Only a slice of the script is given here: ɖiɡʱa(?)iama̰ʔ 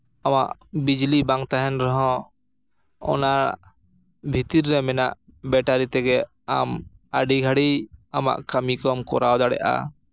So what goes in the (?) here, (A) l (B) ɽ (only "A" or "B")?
B